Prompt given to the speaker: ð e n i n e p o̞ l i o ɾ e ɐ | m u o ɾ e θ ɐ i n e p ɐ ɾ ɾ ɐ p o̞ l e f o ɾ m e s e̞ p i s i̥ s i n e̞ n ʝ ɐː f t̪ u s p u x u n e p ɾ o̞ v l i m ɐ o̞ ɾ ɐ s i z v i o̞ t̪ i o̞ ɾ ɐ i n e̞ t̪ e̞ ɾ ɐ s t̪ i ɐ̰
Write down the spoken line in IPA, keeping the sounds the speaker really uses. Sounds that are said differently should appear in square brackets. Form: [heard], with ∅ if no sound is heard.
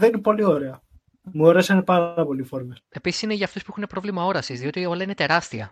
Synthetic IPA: ð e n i n e p o̞ l i o ɾ e ɐ | m u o ɾ e [s] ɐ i n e p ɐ ɾ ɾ ɐ p o̞ l [i] f o ɾ m e s e̞ p i s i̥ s i n e̞ [∅] ʝ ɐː f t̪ u s p u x u n e p ɾ o̞ v l i m ɐ o̞ ɾ ɐ s i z [ð] i o̞ t̪ i o̞ [l] ɐ i n e̞ t̪ e̞ ɾ ɐ s t̪ i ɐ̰